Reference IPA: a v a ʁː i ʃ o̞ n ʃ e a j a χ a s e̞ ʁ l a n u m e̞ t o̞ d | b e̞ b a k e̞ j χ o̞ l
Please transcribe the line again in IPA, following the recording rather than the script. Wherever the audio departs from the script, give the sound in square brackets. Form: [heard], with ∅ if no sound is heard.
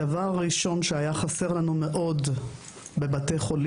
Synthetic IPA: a v a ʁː i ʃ o̞ n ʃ e a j a χ a s e̞ ʁ l a n u m e̞ [ʔ] o̞ d | b e̞ b a [t] e̞ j χ o̞ l

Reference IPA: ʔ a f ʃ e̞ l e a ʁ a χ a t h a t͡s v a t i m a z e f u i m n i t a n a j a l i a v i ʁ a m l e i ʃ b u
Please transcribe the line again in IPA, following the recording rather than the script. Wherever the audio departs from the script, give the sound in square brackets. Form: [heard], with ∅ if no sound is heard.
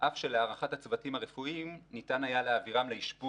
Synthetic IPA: ʔ a f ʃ e̞ l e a ʁ a χ a t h a t͡s v a t i m a [ʁ] e f u i m n i t a n a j a l [e] a v i ʁ a m l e i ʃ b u

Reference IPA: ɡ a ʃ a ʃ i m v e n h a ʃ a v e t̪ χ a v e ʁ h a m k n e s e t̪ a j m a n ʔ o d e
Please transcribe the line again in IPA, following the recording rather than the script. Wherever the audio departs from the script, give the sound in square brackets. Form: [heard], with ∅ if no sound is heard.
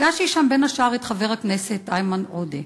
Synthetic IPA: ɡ a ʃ [i] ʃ [a] m [b] e n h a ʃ a [ʁ] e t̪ χ a v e ʁ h a [∅] k n e s e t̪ a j m a n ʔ o d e

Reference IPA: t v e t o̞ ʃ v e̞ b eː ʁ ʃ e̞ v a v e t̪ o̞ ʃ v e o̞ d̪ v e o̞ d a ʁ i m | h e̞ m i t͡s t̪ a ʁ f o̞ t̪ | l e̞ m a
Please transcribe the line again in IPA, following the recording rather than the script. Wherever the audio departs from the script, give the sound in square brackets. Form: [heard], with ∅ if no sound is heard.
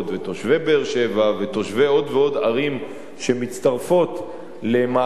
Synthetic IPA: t v e t o̞ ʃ v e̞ b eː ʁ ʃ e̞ v a v e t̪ o̞ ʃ v e o̞ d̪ v e o̞ d a ʁ i m | [ʃ] e̞ m i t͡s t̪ a ʁ f o̞ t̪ | l e̞ m a

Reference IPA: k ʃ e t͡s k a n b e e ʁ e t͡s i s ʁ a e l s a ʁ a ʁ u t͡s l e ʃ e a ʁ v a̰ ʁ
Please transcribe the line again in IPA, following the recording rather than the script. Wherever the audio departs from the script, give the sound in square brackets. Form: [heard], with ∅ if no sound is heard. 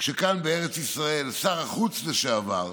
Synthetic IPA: k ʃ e [∅] k a n b e e ʁ e t͡s i s ʁ a e l s a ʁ a [χ] u t͡s l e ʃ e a [∅] v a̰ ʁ

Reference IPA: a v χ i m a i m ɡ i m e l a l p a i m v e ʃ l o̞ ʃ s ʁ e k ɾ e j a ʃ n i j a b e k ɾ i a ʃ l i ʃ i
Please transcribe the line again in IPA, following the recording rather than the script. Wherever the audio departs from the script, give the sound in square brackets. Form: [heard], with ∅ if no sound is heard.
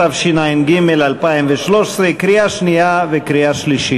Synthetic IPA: a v [ʃ] i [n] a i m ɡ i m e l a l p a i m v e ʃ l o̞ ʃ s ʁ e k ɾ [i] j a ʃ n i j a [v] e k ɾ i a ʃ l i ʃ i

